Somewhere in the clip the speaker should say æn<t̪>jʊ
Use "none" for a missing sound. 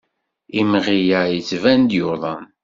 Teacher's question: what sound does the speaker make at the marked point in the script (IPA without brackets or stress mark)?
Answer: d̪